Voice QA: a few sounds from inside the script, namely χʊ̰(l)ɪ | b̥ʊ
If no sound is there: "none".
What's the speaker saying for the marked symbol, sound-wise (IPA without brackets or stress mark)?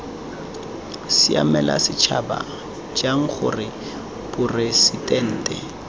r